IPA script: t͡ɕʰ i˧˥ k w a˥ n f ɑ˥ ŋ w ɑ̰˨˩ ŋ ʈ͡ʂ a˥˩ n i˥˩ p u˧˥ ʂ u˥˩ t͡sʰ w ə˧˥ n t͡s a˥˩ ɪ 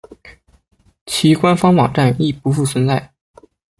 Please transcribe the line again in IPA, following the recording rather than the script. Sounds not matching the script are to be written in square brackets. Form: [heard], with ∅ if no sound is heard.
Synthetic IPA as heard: t͡ɕʰ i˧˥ k w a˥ n f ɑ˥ ŋ w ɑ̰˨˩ ŋ ʈ͡ʂ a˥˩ n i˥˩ p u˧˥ [f] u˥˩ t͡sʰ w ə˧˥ n t͡s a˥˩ ɪ